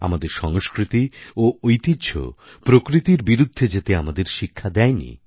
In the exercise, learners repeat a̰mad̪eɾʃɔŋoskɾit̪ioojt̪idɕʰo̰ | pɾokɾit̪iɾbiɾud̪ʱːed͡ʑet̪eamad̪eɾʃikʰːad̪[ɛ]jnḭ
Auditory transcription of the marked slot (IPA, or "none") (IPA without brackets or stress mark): ɛ